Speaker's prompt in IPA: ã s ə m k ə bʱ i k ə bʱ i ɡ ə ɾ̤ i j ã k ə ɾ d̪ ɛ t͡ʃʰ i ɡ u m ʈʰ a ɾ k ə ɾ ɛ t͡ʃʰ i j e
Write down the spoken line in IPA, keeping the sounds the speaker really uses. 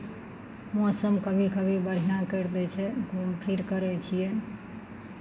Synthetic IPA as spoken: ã s ə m k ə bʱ i k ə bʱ i b ə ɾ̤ i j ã k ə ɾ d̪ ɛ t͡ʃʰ ɛ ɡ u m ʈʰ i ɾ k ə ɾ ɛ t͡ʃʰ i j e